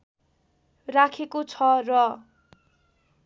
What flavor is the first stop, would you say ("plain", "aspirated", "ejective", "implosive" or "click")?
aspirated